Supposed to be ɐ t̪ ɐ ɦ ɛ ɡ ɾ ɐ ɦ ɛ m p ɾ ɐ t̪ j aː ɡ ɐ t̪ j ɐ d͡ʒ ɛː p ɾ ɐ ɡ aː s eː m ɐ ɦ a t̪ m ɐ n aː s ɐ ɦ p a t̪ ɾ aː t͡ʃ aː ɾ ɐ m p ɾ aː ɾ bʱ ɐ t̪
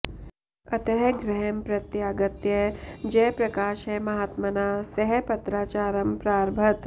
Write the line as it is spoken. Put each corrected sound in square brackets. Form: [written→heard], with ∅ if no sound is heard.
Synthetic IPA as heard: ɐ t̪ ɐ ɦ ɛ ɡ ɾ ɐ ɦ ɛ m p ɾ ɐ t̪ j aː ɡ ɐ t̪ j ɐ d͡ʒ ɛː p ɾ ɐ [ɡ→k] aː [s→ʃ] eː m ɐ ɦ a t̪ m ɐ n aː s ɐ ɦ p [a→ɐ] t̪ ɾ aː t͡ʃ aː ɾ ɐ m p ɾ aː ɾ bʱ ɐ t̪